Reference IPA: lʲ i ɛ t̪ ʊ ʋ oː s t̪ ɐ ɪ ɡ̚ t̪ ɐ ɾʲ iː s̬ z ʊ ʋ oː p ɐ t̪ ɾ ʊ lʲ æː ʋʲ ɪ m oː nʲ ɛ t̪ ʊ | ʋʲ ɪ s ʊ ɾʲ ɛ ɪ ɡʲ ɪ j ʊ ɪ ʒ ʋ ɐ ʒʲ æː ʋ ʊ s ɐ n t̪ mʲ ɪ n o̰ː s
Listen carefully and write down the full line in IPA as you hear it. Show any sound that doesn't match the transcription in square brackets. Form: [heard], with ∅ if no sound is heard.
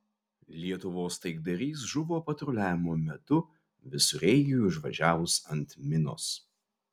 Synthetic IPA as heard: lʲ i ɛ t̪ ʊ ʋ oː s t̪ ɐ ɪ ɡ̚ [d̪] ɐ ɾʲ iː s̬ [ʒ] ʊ ʋ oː p ɐ t̪ ɾ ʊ lʲ æː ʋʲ ɪ m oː [mʲ] ɛ t̪ ʊ | ʋʲ ɪ s ʊ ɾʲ ɛ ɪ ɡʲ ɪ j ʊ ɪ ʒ ʋ ɐ ʒʲ æː ʋ ʊ s ɐ n t̪ mʲ ɪ n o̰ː s